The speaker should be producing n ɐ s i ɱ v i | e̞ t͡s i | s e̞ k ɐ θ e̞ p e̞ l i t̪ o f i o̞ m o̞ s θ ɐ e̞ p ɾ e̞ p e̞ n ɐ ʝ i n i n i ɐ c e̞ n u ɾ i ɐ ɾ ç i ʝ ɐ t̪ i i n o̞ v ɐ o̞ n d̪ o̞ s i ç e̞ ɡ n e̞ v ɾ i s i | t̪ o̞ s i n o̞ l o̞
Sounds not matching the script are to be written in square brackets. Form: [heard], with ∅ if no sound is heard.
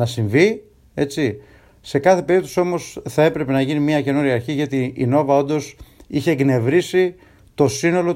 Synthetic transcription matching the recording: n ɐ s i ɱ v i | e̞ t͡s i | s e̞ k ɐ θ e̞ p e̞ [ɾ] i t̪ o [s] i o̞ m o̞ s θ ɐ e̞ p ɾ e̞ p e̞ n ɐ ʝ i n i [m] i ɐ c e̞ n u ɾ i ɐ ɾ ç i ʝ ɐ t̪ i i n o̞ v ɐ o̞ n d̪ o̞ s i ç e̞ ɡ n e̞ v ɾ i s i | t̪ o̞ s i n o̞ l o̞